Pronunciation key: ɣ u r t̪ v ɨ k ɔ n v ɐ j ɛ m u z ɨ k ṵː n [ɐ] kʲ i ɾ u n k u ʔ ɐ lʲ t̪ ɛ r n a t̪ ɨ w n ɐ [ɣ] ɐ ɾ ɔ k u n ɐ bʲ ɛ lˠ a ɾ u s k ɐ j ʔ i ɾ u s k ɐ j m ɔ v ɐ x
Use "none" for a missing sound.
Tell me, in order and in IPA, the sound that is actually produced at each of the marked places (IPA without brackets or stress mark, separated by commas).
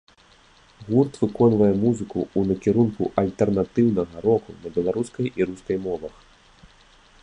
ɐ, ɣ